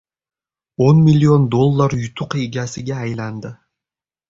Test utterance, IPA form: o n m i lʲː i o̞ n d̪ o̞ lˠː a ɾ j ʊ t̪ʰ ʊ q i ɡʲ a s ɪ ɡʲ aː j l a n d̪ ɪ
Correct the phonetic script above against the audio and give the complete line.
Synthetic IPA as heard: o n m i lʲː i o̞ n d̪ o̞ lˠː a ɾ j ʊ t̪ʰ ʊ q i ɡʲ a s ɪ ɡʲ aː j l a n d̪ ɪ